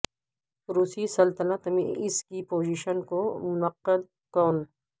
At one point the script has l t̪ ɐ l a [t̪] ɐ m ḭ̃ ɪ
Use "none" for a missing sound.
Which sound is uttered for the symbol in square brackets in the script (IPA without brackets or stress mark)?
t̪